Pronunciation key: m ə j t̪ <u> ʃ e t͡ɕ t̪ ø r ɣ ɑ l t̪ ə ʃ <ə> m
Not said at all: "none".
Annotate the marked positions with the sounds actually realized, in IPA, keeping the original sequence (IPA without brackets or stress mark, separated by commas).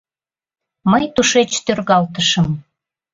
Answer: u, ə